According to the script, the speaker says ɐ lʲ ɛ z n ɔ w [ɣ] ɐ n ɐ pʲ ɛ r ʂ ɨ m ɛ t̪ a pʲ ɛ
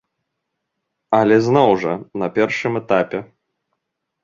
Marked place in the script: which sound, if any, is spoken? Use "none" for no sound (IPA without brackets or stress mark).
ʐ